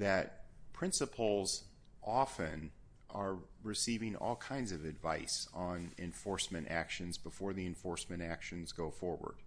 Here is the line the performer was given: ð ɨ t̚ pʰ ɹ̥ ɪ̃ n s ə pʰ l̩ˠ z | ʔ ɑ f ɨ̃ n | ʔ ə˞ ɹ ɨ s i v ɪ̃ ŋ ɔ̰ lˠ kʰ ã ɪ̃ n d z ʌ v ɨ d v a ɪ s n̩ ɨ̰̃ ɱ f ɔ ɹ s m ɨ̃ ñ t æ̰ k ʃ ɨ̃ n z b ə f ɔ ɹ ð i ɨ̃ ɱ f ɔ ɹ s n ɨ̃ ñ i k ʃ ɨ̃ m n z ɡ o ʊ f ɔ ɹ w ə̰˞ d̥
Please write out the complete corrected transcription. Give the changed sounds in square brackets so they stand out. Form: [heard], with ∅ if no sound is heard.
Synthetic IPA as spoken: ð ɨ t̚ pʰ ɹ̥ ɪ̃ n s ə pʰ l̩ˠ z | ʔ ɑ f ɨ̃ n | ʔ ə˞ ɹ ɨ s i v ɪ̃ ŋ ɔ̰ lˠ kʰ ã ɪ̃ n d z ʌ v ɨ d v a ɪ s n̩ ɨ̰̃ ɱ f ɔ ɹ s m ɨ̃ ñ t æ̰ k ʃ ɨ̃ n z b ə f ɔ ɹ ð i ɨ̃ ɱ f ɔ ɹ s [m] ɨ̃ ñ [æ] k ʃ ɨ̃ [∅] n z ɡ o ʊ f ɔ ɹ w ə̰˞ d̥